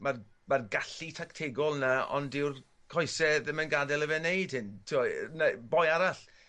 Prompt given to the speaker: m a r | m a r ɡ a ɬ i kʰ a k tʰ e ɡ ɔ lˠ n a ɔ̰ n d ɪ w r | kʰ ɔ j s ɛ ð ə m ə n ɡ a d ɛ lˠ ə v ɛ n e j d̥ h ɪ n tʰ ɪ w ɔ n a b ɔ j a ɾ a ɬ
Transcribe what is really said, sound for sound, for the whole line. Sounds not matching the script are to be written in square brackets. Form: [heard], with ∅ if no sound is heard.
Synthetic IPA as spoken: m a r | m a r ɡ a ɬ i [tʰ] a k tʰ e ɡ ɔ lˠ n a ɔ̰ n d ɪ w r | kʰ ɔ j s ɛ ð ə m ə n ɡ a d ɛ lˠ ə v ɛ n e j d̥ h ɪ n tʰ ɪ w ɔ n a b ɔ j a ɾ a ɬ